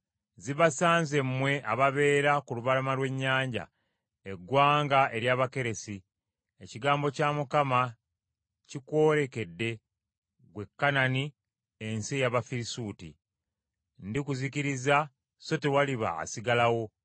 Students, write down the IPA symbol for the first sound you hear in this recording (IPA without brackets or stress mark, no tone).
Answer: z